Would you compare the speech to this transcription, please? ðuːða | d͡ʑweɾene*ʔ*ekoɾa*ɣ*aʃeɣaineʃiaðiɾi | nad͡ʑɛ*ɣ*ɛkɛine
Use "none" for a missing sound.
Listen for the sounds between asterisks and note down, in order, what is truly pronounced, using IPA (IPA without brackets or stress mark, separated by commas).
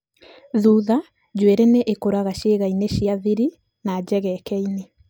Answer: ʔ, ɣ, ɣ